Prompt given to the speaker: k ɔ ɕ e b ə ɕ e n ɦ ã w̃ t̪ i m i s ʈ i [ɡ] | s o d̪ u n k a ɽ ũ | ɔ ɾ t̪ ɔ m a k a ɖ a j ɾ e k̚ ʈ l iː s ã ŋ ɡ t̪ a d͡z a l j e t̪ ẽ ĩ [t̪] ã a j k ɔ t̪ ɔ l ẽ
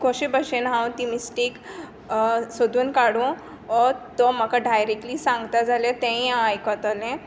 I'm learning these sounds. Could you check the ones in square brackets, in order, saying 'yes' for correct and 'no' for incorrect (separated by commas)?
no, no